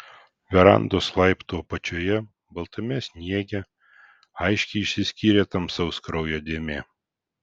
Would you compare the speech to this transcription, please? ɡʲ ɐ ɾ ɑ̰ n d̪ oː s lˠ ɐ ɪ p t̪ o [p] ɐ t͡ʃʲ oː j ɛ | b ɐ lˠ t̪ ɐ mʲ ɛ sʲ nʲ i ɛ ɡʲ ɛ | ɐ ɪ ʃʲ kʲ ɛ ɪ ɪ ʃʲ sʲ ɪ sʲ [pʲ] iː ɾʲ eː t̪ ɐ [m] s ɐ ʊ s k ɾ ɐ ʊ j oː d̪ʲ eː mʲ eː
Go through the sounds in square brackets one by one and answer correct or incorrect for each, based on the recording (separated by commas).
correct, incorrect, correct